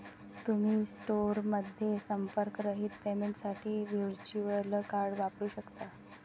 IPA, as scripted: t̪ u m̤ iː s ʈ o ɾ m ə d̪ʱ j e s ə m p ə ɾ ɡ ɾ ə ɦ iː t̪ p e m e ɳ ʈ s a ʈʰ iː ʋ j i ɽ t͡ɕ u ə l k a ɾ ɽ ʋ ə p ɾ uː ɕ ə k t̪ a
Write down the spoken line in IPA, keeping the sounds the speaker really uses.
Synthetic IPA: t̪ u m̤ iː s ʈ o ɾ m ə d̪ʱ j e s ə m p ə ɾ k ɾ ə ɦ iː t̪ p e m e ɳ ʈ s a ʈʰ iː ʋ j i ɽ t͡ɕ u ə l k a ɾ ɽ ʋ a p ɾ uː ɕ ə k t̪ a